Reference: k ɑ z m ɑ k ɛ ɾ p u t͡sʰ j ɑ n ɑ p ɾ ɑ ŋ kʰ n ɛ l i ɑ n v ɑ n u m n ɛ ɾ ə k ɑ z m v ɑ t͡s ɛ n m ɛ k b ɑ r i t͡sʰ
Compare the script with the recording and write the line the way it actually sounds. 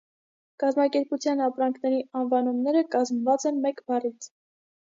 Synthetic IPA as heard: k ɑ z m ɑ k ɛ ɾ p u t͡sʰ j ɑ n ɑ p ɾ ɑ ŋ kʰ n ɛ ɾ i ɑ n v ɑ n u m n ɛ ɾ ə k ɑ z m v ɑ t͡s ɛ n m ɛ k b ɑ r i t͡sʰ